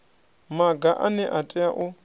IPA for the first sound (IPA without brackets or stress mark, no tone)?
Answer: m